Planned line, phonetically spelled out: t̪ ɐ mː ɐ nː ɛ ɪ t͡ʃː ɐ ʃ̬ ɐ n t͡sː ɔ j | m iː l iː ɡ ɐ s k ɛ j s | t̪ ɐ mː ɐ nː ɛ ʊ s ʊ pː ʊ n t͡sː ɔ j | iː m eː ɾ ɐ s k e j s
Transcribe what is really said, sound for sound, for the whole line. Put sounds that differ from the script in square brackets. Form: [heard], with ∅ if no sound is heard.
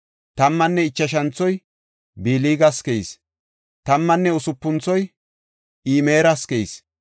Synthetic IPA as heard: t̪ ɐ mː ɐ nː ɛ ɪ t͡ʃː ɐ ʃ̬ ɐ n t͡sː ɔ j | [b] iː l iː ɡ ɐ s k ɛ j s | t̪ ɐ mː ɐ nː ɛ ʊ s ʊ pː ʊ n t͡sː ɔ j | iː m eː ɾ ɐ s k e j s